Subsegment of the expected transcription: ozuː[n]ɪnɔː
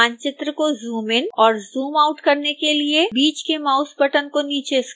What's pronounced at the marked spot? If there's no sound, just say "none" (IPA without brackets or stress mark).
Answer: m